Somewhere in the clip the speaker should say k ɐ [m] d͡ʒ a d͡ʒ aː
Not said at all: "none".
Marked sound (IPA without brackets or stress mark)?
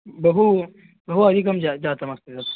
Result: m